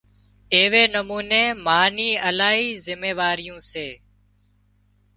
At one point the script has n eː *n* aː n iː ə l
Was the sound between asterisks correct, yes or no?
no